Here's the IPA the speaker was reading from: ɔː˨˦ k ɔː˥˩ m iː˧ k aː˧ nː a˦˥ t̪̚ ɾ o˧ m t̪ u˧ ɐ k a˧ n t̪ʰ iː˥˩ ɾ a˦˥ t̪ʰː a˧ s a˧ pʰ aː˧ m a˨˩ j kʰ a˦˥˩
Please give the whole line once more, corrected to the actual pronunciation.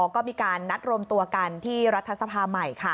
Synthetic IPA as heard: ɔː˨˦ k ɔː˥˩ m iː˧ k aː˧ nː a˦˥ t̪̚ ɾ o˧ m t̪ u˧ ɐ k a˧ n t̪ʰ iː˥˩ ɾ a˦˥ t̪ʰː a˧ s a˧ pʰ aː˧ m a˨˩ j kʰ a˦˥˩